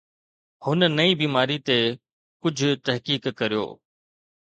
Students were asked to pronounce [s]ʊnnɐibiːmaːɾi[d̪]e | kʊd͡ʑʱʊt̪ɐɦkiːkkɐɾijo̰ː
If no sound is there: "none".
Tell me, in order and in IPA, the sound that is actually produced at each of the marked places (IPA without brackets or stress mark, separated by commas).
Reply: h, t̪